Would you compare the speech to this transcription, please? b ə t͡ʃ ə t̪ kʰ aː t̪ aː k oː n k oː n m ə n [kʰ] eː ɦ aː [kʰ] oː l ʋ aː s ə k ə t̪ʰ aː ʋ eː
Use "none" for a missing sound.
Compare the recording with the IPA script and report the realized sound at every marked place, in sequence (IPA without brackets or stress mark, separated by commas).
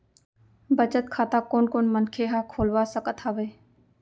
kʰ, kʰ